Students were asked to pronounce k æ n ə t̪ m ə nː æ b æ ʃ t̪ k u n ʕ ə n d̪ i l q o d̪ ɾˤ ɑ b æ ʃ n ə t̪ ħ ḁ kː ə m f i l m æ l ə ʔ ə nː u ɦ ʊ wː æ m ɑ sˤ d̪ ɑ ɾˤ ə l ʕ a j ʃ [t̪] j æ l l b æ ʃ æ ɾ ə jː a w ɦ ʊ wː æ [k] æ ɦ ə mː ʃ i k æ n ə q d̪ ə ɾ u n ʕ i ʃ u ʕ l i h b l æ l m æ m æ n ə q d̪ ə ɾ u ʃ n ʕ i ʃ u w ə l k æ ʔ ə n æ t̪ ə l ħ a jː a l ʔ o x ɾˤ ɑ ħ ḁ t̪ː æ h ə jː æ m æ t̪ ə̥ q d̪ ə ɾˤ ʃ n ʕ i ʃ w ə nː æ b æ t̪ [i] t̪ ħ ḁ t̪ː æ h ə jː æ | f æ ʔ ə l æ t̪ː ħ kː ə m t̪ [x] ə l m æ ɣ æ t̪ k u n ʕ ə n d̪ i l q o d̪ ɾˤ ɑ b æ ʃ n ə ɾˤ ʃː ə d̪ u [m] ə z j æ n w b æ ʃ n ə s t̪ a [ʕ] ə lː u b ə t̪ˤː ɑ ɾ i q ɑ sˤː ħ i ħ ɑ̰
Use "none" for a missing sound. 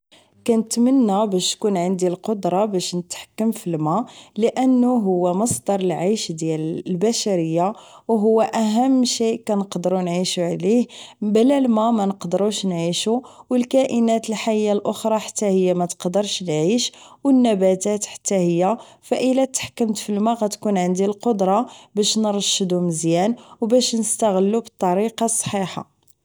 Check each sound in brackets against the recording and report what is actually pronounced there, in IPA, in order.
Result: d̪, ʔ, æ, f, m, ɣ

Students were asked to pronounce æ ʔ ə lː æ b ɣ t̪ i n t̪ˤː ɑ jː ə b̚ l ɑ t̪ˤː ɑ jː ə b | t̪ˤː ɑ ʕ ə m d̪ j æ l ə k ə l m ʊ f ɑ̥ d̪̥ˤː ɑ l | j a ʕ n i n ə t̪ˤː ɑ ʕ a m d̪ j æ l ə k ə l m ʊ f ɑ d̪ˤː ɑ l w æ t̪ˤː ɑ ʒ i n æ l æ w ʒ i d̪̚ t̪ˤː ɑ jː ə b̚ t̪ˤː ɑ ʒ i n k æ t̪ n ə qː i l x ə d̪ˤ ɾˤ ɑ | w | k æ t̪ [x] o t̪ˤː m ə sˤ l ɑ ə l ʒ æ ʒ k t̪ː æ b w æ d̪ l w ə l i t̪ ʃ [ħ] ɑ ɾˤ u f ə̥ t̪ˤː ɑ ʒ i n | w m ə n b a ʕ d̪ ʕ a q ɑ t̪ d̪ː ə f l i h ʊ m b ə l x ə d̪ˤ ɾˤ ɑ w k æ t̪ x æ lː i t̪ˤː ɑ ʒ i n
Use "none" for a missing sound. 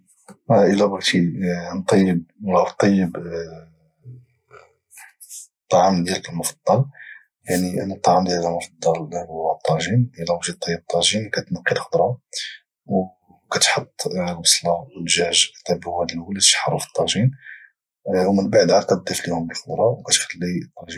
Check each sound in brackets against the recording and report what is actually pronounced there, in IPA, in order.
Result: ħ, ħ

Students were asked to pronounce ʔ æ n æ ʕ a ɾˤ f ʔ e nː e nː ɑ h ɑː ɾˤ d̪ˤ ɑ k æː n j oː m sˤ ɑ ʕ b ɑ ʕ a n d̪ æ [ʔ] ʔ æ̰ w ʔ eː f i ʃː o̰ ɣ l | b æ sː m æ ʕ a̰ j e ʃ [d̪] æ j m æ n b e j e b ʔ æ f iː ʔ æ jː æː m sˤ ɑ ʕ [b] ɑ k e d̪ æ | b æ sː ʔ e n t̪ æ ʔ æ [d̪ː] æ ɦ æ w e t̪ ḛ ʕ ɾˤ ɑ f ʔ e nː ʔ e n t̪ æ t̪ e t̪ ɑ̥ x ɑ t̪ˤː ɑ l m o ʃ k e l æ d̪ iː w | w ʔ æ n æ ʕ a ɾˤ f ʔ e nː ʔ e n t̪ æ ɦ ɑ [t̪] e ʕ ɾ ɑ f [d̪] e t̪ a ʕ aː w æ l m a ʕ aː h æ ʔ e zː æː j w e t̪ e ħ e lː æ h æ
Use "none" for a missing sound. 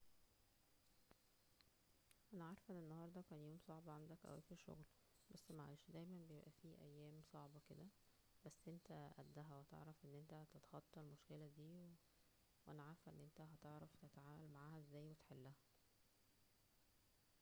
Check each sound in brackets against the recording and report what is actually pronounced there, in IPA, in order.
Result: k, d̪, b, d̪ː, t̪, t̪

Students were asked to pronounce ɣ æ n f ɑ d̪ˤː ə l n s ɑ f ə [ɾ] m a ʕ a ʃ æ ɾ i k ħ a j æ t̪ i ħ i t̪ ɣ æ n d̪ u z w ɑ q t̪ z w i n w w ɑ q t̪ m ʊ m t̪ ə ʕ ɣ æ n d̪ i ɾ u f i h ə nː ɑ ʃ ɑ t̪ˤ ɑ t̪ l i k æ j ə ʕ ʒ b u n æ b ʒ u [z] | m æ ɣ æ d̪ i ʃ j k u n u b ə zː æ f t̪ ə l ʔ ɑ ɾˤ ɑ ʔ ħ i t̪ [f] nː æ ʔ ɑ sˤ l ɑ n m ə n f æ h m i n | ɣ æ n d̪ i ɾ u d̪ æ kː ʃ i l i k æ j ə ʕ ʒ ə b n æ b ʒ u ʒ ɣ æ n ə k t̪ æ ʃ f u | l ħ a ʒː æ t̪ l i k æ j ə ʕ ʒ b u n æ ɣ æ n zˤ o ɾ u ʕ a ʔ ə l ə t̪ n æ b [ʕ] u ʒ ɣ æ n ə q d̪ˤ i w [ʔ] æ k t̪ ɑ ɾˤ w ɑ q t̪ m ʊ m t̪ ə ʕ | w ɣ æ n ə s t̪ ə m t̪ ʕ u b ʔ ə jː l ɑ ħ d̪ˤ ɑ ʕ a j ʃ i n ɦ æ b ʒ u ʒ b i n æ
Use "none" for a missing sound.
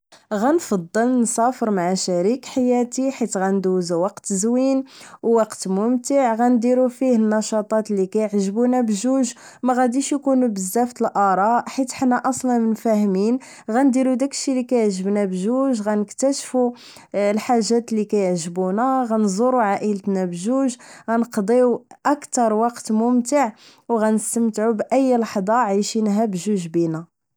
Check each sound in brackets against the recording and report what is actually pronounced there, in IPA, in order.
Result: ɾ, ʒ, ħ, ʒ, ʔ

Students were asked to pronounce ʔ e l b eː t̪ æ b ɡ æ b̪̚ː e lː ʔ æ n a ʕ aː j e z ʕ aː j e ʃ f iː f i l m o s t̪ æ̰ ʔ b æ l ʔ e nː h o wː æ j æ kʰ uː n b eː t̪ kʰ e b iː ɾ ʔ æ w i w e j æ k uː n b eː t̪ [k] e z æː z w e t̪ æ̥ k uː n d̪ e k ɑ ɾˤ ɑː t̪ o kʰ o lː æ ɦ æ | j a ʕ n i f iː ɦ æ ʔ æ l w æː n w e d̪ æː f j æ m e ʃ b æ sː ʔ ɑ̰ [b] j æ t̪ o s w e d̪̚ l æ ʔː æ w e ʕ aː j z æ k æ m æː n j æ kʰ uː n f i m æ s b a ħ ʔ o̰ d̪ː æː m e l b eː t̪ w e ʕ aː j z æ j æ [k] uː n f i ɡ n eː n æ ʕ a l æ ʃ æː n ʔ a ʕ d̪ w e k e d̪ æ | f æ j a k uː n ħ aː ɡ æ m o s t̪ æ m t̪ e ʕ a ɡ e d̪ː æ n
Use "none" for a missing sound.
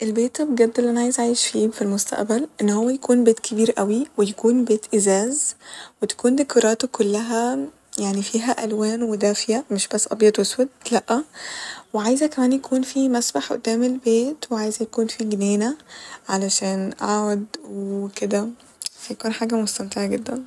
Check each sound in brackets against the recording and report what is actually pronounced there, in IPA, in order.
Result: ʔ, b, k

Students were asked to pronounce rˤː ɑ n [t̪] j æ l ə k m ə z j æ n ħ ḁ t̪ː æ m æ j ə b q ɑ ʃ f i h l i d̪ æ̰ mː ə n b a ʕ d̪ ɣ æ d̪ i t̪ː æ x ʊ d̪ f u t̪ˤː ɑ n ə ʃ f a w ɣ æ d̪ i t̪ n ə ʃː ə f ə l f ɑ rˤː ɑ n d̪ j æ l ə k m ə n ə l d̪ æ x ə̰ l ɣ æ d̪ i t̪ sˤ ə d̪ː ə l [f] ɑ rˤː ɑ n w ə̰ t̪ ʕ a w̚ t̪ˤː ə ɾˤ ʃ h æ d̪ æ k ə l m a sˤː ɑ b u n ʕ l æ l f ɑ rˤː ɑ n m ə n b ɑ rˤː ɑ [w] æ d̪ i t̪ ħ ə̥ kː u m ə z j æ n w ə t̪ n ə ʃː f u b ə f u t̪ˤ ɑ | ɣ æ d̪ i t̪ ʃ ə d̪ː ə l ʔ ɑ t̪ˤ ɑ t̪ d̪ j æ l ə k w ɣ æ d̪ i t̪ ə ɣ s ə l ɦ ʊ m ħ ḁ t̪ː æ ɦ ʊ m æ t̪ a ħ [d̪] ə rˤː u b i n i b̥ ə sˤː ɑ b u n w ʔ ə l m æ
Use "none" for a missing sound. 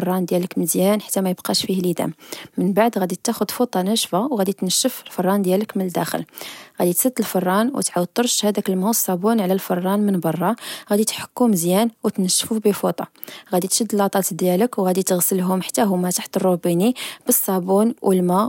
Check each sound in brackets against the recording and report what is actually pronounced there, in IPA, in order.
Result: d̪, f, ɣ, t̪

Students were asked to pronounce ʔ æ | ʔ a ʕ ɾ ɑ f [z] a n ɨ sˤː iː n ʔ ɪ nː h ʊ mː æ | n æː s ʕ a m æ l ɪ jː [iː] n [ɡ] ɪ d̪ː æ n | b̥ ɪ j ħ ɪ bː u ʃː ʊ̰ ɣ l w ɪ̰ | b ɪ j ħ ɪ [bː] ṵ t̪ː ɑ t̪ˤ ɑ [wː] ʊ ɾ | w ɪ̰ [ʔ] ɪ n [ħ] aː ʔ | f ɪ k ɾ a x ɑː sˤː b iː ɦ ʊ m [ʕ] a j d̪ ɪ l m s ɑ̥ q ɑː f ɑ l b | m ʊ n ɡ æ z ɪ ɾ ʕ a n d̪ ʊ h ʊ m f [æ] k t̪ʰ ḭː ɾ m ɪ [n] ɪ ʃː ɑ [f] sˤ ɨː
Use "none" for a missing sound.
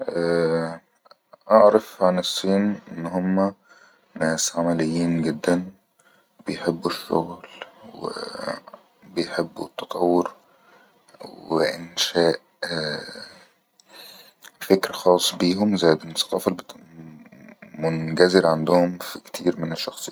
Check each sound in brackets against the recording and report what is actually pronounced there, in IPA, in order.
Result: ʕ, iː, ɡ, bː, wː, ʔ, ʃ, z, i, n, x

